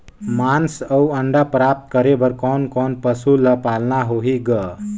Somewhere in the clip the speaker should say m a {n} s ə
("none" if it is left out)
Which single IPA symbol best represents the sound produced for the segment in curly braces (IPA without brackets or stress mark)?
n